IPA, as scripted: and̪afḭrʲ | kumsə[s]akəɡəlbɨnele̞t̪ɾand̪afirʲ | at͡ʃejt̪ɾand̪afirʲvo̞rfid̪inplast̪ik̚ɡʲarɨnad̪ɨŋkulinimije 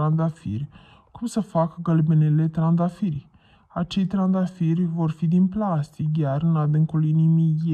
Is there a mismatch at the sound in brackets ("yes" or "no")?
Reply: yes